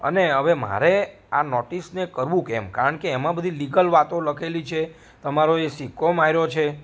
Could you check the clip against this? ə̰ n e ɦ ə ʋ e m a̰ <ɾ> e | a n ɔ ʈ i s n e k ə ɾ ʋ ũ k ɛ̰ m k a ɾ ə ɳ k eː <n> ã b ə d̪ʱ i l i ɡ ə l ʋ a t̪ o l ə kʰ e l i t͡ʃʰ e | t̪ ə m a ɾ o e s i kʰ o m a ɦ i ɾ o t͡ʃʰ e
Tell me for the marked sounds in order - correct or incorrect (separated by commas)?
correct, incorrect